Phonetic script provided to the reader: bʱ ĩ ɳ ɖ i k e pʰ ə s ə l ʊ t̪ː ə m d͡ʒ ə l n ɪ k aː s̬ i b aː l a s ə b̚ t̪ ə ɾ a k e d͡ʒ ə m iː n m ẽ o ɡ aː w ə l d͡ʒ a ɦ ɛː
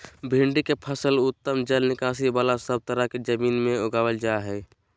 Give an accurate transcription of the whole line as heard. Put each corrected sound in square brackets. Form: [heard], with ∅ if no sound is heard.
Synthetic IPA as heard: bʱ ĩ ɳ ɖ i k e pʰ ə s ə l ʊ t̪ː ə m d͡ʒ ə l n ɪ k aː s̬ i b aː l a s ə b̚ t̪ ə ɾ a k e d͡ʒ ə m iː n m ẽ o ɡ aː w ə l d͡ʒ a ɦ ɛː